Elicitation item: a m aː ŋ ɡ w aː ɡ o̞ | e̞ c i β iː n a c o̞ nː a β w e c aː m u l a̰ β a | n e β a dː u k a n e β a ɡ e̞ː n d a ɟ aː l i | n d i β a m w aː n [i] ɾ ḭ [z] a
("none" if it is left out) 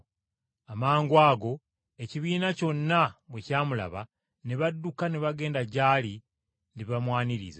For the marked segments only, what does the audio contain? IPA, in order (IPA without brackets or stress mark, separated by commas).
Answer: i, z